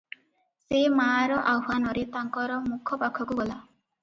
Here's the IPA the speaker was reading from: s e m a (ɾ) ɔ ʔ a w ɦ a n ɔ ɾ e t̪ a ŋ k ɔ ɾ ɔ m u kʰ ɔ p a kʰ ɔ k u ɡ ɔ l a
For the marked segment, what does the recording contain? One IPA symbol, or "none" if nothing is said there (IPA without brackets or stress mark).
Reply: ɾ